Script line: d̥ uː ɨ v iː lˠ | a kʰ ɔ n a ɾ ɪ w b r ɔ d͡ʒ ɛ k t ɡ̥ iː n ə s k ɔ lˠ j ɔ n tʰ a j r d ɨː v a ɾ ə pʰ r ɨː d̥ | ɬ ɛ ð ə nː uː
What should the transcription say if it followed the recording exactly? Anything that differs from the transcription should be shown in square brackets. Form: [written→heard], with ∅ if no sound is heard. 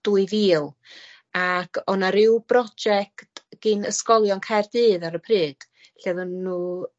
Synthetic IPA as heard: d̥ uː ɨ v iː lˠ | a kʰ ɔ n a ɾ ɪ w b r ɔ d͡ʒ ɛ k t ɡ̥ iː n ə s k ɔ lˠ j ɔ n [tʰ→kʰ] a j r d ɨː [v→ð] a ɾ ə pʰ r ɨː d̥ | ɬ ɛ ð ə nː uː